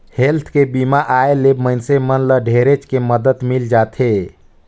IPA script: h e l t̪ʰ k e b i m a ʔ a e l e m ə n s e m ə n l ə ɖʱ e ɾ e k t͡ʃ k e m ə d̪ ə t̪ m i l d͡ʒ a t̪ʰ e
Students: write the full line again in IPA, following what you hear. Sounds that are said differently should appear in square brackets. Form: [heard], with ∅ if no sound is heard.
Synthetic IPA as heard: h e l t̪ʰ k e b i m a ʔ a e l e m ə n s e m ə n l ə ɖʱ e ɾ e [∅] t͡ʃ k e m ə d̪ ə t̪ m i l d͡ʒ a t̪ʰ e